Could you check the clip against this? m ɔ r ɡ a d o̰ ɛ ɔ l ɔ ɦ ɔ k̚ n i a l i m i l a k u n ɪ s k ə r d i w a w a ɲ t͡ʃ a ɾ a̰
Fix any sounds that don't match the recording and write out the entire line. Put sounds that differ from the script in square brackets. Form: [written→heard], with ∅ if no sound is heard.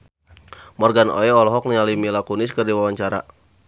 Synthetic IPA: m ɔ r ɡ a [d→n] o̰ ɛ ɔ l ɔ ɦ ɔ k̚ n i a l i m i l a k u n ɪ s k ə r d i w a w a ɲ t͡ʃ a ɾ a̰